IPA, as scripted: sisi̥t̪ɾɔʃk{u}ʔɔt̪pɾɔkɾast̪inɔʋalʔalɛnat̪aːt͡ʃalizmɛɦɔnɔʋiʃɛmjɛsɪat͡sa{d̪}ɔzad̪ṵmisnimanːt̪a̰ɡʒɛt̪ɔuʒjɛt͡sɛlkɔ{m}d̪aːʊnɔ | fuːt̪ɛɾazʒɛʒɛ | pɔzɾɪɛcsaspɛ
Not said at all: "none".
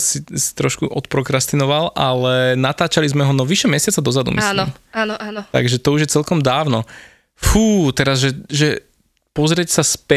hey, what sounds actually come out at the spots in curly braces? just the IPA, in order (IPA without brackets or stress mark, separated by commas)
u, d̪, m